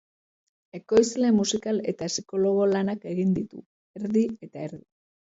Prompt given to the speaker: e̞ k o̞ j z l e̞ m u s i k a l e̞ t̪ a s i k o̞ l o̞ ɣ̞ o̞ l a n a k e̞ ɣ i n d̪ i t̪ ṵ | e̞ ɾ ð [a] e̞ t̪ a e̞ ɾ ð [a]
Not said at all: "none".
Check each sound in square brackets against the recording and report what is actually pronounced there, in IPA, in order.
i, i

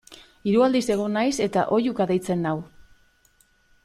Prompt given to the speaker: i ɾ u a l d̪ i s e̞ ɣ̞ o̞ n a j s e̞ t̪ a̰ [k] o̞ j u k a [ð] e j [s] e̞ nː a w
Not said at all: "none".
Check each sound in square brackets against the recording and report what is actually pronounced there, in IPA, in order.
ʔ, ð, t͡s

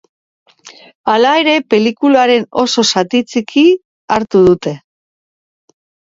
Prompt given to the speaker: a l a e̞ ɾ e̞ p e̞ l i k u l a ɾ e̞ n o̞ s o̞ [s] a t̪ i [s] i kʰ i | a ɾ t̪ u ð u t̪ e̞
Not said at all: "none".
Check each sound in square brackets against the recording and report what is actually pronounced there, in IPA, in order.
s, t͡s

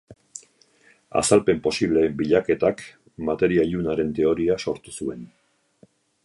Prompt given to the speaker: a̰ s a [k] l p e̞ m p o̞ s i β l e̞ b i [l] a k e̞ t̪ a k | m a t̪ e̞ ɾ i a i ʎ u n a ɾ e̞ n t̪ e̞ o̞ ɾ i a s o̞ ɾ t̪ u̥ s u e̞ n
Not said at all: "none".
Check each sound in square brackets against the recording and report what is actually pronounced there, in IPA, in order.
none, ʎ

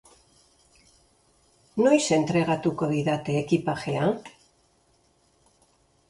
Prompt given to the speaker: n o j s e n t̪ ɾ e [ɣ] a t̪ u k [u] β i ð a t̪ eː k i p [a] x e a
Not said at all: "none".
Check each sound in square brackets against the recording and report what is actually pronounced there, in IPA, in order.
ɣ, o, a

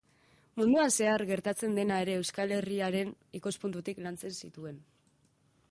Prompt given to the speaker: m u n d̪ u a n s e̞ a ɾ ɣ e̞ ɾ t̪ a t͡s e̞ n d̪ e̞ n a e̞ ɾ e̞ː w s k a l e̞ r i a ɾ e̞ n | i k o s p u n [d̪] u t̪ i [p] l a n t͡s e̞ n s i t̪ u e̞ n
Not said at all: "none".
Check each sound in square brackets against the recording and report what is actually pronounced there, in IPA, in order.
t̪, k

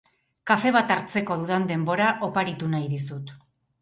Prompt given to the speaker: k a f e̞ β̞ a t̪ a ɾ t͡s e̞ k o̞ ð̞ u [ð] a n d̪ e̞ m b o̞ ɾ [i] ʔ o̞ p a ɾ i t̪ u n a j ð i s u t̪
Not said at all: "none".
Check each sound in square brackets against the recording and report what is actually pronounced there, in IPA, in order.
ð, a

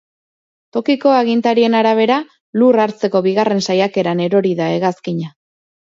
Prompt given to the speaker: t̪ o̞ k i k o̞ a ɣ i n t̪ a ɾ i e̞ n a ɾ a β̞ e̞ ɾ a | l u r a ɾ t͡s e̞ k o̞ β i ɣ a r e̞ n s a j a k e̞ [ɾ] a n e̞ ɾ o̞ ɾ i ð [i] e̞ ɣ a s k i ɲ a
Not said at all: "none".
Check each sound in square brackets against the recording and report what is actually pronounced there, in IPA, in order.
ɾ, a

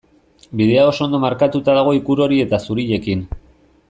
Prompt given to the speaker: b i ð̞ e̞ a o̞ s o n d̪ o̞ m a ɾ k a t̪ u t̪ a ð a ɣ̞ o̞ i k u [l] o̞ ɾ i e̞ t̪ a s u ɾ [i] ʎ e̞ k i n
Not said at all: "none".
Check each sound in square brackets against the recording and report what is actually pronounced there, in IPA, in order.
ɾ, i

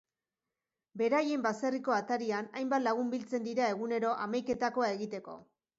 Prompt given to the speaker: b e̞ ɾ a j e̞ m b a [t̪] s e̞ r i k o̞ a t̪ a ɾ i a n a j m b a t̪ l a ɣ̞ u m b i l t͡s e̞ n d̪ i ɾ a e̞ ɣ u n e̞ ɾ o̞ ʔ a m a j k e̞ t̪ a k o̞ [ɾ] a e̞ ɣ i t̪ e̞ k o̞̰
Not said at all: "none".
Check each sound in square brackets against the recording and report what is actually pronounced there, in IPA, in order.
none, none

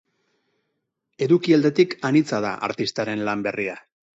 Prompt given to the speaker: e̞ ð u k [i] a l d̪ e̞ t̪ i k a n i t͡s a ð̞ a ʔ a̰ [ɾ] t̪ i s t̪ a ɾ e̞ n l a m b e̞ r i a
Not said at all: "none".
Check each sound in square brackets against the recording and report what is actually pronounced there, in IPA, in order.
i, ɾ

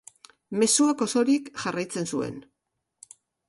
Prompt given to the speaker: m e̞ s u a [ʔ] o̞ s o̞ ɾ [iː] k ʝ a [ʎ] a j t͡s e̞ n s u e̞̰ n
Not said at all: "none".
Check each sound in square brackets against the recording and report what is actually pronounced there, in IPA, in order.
k, i, r

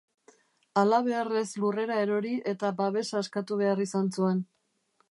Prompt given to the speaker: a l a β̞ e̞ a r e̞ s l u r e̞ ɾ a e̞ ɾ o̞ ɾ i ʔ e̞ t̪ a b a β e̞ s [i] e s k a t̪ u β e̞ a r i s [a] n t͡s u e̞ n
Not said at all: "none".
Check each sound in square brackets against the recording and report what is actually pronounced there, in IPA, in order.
a, a

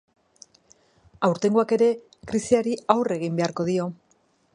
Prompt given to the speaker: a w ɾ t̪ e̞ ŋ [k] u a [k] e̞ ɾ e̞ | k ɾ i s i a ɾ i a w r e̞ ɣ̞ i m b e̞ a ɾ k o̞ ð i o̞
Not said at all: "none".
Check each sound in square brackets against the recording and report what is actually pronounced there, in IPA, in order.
ɡ, k

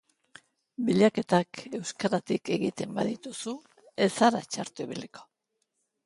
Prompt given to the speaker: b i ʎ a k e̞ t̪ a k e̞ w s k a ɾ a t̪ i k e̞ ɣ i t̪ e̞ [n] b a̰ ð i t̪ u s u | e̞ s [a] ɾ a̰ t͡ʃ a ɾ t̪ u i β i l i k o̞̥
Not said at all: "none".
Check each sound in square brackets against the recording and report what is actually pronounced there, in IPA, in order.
m, a

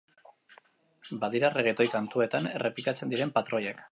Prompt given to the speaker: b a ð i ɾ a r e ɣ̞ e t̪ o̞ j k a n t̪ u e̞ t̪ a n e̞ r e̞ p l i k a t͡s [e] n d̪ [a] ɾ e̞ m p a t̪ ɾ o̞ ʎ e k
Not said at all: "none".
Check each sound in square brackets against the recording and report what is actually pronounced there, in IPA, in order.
e, i

